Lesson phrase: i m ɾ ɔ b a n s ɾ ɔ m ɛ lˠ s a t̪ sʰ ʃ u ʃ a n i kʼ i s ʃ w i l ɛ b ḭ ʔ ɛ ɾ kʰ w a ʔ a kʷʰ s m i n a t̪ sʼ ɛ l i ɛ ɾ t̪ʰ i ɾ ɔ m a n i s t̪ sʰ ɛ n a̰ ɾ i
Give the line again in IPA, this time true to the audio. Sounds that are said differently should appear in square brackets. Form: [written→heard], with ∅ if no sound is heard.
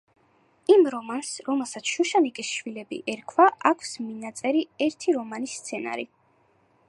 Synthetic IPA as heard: i m ɾ ɔ [b→m] a n s ɾ ɔ m ɛ lˠ s a t̪ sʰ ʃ u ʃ a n i kʼ i s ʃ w i l ɛ b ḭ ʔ ɛ ɾ kʰ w a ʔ a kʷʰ s m i n a t̪ sʼ ɛ [l→ɾ] i ɛ ɾ t̪ʰ i ɾ ɔ m a n i s t̪ sʰ ɛ n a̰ ɾ i